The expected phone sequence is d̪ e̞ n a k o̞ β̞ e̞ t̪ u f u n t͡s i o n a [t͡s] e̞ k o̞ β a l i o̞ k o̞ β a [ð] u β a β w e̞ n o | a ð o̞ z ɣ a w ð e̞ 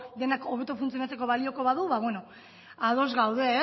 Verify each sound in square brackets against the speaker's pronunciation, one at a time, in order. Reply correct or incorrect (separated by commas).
correct, correct